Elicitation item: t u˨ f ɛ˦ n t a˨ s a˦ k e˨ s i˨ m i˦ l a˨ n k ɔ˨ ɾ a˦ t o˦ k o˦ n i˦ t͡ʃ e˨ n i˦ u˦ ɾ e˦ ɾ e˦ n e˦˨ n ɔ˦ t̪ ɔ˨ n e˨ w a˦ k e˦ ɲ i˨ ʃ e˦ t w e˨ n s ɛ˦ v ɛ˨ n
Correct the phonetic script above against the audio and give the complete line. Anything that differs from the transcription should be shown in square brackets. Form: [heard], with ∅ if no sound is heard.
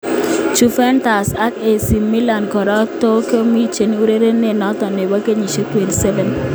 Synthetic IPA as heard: [t͡ʃ] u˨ f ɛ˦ n t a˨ s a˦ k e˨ s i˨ m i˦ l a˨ n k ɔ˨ ɾ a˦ t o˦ k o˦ [m] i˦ t͡ʃ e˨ n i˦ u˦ ɾ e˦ ɾ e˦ n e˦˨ n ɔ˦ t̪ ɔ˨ n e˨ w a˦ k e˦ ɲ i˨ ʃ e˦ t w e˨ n s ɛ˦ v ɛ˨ n